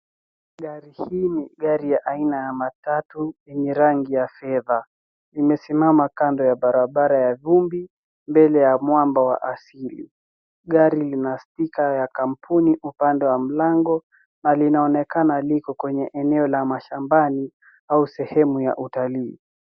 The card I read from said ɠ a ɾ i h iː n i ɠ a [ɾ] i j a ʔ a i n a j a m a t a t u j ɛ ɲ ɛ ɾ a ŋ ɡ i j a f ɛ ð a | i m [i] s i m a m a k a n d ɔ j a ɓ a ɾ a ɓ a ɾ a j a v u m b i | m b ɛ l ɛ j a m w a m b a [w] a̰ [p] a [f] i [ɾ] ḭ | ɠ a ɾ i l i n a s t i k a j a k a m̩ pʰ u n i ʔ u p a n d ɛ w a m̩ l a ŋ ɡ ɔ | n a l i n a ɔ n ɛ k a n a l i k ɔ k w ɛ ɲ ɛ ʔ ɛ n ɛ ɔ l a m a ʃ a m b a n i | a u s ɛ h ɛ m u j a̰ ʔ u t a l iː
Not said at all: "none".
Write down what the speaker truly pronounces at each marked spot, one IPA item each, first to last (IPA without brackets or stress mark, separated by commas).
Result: ɾ, ɛ, w, ʔ, s, l